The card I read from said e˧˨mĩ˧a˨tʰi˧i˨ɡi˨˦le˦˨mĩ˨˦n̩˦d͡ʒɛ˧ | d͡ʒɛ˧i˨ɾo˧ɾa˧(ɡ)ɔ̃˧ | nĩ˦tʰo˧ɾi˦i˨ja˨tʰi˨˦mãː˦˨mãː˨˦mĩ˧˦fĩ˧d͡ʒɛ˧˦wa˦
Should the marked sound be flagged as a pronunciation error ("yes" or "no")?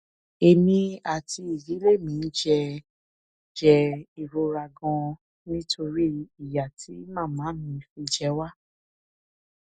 no